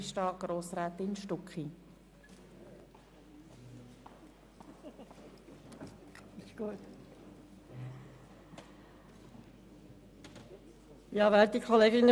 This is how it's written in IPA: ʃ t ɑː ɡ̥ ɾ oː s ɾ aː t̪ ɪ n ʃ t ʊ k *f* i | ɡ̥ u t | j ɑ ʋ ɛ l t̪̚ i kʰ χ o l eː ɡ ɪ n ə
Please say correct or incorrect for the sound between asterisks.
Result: incorrect